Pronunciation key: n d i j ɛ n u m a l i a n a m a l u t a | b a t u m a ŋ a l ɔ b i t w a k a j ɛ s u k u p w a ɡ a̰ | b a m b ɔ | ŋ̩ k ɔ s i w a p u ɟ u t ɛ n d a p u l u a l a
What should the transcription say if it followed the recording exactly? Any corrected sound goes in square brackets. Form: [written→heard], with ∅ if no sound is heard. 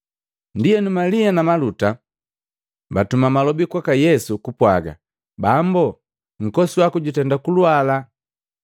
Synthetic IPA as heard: n d i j ɛ n u m a l i a n a m a l u t a | b a t u m a [ŋ→m] a l ɔ b i [t→k] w a k a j ɛ s u k u p w a ɡ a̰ | b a m b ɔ | ŋ̩ k ɔ s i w a [p→k] u ɟ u t ɛ n d a [p→k] u l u a l a